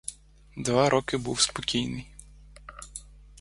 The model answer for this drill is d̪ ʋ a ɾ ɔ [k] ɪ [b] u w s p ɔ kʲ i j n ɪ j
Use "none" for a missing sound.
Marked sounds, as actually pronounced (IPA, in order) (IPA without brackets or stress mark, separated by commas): k, b